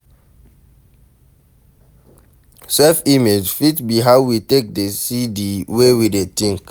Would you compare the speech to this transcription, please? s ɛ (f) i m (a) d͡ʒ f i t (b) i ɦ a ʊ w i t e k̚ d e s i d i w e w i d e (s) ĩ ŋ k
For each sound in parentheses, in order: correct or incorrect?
correct, incorrect, correct, incorrect

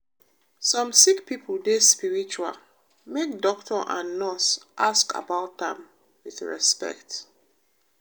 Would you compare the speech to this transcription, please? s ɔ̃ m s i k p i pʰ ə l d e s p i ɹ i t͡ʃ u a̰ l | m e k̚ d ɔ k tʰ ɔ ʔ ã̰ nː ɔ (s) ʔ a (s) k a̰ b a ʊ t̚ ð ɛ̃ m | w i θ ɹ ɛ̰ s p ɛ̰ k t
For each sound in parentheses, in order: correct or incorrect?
correct, correct

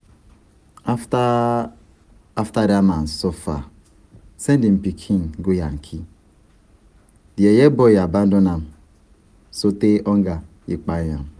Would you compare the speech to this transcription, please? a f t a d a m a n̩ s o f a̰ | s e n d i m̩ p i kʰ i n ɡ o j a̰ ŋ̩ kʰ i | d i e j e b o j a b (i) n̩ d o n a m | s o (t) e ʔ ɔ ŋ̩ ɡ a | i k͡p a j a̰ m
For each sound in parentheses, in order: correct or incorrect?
incorrect, correct

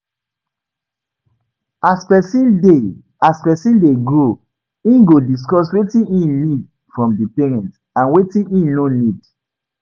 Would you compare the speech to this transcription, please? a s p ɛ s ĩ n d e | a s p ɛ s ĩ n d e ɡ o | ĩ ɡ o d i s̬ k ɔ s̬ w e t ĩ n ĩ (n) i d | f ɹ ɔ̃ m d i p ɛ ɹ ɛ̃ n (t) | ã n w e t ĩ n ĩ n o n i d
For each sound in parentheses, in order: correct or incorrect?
correct, correct

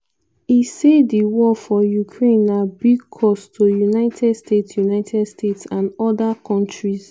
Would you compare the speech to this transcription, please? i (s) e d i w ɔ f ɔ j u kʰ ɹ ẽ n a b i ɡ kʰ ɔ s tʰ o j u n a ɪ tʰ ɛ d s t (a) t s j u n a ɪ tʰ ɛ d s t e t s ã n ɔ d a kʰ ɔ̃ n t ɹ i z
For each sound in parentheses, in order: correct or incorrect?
correct, incorrect

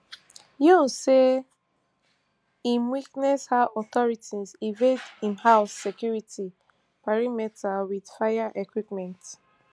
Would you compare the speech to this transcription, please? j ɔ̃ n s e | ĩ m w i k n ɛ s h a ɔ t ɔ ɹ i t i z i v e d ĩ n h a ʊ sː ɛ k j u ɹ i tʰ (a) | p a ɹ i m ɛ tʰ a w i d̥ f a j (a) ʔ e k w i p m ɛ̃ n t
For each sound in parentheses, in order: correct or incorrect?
incorrect, correct

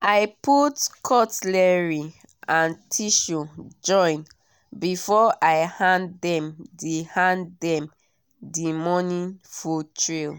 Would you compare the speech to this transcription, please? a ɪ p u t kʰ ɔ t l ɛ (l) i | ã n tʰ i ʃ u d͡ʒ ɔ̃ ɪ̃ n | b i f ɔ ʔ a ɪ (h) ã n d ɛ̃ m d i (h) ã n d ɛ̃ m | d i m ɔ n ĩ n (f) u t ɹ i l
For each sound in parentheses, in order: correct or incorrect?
incorrect, correct, correct, correct

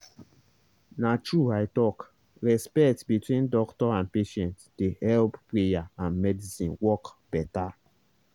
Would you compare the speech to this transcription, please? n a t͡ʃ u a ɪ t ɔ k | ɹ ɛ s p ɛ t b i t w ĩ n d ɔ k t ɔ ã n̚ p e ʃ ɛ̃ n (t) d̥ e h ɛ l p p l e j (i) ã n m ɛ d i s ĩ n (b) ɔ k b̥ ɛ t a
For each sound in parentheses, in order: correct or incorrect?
correct, incorrect, incorrect

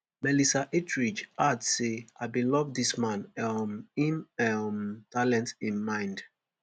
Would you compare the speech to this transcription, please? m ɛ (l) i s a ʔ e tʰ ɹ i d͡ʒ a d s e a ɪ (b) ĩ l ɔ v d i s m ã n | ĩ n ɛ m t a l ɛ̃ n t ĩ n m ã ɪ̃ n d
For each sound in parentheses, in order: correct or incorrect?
correct, correct

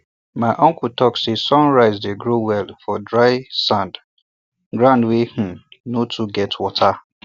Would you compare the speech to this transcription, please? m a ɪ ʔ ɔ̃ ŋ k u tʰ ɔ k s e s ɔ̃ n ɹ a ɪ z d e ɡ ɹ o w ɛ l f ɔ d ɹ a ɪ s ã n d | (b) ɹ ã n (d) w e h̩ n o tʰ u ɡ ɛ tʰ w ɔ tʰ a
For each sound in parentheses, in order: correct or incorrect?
incorrect, correct

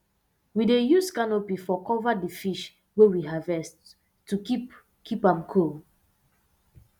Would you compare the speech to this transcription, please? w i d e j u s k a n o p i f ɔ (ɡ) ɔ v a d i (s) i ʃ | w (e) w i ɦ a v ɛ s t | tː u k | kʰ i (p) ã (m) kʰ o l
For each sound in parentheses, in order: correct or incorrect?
incorrect, incorrect, correct, correct, correct

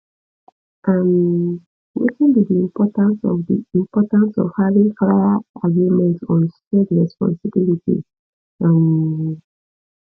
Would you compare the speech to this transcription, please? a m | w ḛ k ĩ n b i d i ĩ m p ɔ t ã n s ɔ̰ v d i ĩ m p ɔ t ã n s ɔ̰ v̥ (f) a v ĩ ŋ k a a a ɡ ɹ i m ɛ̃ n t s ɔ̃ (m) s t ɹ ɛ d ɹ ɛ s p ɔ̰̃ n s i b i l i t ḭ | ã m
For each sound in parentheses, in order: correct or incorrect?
incorrect, incorrect

